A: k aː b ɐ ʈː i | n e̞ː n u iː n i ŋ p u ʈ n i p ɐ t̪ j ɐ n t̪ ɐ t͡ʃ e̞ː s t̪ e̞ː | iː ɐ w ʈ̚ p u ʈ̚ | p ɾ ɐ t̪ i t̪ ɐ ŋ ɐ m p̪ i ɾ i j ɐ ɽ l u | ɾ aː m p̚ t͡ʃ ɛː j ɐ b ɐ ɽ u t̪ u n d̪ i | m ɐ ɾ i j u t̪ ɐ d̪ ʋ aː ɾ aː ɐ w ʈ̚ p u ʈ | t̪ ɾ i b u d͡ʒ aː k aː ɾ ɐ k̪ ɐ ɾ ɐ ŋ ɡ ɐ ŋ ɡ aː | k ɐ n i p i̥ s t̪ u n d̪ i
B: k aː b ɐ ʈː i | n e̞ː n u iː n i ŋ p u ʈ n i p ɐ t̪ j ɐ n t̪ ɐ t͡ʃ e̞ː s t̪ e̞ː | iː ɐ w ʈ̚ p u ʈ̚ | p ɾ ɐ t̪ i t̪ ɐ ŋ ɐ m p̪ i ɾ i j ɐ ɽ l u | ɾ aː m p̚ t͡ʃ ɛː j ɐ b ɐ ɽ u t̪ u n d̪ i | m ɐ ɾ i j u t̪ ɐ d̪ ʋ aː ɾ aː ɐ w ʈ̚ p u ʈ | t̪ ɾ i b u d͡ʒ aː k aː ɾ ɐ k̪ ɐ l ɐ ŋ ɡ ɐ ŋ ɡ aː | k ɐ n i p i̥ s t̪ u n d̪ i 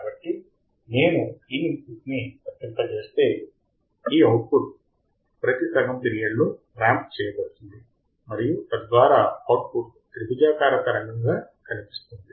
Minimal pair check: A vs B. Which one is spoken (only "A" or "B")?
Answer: A